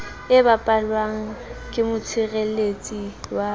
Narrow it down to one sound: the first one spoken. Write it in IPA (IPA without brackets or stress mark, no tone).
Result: ɪ